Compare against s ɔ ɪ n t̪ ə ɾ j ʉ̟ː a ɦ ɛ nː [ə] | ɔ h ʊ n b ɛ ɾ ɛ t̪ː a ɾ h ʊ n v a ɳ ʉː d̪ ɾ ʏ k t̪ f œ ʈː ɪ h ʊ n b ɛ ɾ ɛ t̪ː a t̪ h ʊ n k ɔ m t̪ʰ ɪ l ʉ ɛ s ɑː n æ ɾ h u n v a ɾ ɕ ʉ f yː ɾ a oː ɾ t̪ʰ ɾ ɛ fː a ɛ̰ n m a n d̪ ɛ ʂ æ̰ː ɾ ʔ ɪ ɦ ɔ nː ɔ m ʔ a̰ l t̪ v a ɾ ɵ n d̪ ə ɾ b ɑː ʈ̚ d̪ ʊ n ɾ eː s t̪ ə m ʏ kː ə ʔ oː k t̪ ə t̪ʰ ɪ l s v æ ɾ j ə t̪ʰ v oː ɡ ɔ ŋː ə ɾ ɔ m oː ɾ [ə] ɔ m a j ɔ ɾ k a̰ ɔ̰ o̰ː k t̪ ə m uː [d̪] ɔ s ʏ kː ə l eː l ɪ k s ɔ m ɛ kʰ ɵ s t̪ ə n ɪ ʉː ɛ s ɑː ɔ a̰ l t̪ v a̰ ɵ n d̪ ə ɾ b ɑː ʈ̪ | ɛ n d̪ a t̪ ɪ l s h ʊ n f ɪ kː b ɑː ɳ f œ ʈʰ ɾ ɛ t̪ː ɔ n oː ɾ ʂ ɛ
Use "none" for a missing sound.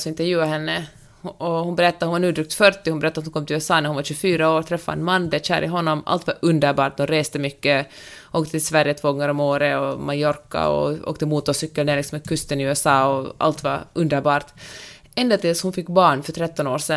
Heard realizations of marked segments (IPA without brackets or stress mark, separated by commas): ə, ə, t̪